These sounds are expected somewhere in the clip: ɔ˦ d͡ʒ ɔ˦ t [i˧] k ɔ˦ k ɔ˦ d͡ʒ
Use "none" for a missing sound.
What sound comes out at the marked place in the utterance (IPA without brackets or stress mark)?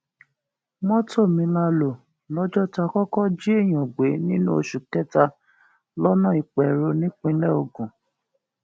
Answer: a˧